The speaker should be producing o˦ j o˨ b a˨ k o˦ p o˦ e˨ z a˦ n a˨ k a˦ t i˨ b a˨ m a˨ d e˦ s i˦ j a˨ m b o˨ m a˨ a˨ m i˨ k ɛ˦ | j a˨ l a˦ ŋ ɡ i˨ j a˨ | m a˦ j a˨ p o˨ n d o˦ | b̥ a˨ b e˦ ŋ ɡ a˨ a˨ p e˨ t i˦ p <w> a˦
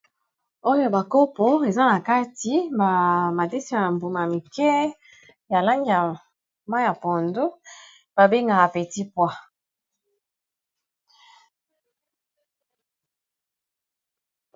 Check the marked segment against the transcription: correct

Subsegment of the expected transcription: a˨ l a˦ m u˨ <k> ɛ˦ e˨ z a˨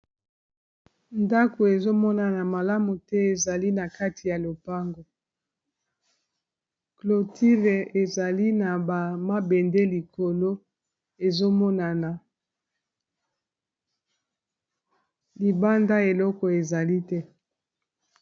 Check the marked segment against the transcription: incorrect: t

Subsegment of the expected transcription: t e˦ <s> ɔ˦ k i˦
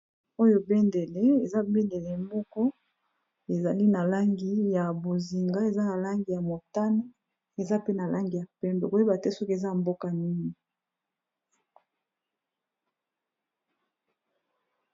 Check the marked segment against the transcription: correct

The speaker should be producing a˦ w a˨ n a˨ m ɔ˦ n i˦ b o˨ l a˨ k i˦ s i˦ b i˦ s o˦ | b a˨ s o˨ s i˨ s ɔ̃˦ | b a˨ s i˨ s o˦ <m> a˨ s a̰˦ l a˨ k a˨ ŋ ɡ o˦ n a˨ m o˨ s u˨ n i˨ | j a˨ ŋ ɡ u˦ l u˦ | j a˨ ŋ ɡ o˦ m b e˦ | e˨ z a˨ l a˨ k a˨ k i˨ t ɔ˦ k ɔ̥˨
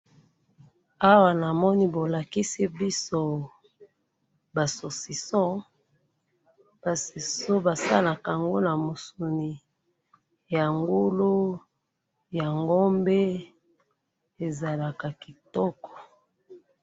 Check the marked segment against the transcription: incorrect: b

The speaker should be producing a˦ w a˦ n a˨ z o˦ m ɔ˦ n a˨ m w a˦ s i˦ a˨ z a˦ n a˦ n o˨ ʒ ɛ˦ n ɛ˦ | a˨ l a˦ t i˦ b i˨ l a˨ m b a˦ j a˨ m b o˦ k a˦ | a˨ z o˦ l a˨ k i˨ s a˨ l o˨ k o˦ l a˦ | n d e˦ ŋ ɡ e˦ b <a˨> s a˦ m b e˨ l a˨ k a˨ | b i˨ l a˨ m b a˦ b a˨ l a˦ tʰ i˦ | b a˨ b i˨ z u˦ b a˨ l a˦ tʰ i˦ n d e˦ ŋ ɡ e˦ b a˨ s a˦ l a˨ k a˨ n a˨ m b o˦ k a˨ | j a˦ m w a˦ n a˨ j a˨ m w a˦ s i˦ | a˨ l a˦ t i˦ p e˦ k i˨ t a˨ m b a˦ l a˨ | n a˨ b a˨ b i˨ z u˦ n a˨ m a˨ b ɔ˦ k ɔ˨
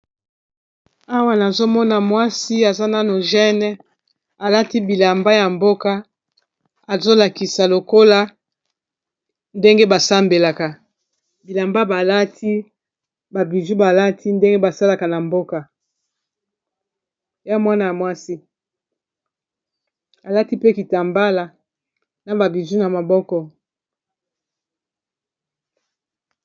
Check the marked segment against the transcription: correct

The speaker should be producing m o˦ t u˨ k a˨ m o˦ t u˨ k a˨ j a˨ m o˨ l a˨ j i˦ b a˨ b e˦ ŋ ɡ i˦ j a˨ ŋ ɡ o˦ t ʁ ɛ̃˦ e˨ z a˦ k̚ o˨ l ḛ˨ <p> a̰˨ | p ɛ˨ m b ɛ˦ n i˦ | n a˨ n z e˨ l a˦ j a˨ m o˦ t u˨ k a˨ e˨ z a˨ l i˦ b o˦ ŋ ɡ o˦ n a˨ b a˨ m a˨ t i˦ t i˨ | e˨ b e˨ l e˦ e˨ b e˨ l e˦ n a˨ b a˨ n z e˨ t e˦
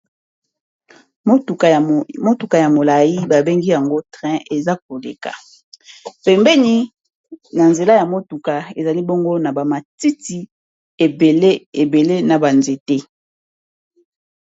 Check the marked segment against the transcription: incorrect: k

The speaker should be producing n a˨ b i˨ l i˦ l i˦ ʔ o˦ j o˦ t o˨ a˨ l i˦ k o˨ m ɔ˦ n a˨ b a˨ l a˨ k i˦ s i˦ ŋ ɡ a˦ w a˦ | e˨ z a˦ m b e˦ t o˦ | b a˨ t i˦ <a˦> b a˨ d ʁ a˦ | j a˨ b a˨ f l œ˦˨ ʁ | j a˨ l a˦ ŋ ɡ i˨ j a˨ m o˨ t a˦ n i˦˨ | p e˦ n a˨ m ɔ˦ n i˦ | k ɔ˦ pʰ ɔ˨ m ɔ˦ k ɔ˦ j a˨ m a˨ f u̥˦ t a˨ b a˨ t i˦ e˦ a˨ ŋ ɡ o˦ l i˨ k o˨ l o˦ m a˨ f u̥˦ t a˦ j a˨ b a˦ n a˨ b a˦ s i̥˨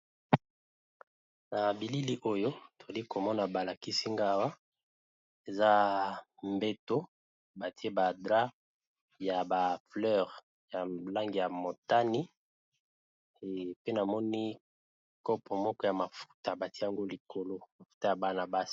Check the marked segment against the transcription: incorrect: e˦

